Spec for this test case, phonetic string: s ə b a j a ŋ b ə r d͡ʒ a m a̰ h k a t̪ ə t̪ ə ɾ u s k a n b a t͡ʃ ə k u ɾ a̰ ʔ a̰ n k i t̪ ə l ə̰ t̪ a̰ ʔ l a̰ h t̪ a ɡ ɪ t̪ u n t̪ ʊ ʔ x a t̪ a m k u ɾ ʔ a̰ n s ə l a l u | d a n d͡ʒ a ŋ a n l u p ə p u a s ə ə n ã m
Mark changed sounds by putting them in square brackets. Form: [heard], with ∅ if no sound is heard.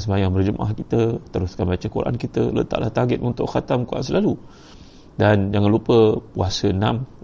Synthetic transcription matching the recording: s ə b a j a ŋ b ə r d͡ʒ [ə] m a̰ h k [i] t̪ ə t̪ ə ɾ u s k a n b a t͡ʃ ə k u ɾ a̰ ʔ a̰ n k i t̪ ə l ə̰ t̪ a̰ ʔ l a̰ h t̪ a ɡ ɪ t̪ u n t̪ ʊ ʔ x a t̪ a m k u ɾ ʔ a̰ n s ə l a l u | d a n d͡ʒ a ŋ a n l u p ə p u a s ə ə n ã m